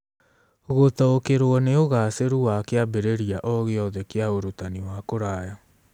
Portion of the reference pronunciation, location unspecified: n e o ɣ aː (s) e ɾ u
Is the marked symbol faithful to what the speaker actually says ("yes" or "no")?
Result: yes